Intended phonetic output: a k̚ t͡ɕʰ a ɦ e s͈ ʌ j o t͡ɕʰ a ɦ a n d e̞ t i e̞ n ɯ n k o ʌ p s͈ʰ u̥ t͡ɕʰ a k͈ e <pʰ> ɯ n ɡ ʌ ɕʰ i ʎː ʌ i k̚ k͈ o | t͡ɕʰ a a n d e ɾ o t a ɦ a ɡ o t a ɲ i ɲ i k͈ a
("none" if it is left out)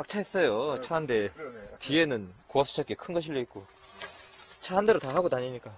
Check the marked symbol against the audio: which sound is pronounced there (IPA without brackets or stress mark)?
kʰ